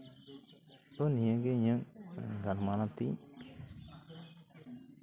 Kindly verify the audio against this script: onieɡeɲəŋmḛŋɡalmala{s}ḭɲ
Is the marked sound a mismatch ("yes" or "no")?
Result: yes